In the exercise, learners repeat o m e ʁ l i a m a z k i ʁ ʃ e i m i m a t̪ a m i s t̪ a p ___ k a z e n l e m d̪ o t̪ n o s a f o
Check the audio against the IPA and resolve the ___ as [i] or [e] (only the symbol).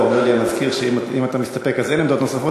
e